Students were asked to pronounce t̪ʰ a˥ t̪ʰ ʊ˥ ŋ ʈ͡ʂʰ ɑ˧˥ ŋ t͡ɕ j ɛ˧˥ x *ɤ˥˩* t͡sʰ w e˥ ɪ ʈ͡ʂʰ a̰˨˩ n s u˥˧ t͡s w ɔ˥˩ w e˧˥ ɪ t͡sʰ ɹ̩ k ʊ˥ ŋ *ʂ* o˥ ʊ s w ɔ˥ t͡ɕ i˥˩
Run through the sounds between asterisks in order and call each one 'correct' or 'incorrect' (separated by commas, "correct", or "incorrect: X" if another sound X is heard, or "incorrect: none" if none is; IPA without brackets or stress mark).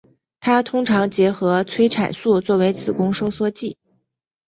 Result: incorrect: ɤ˧˥, correct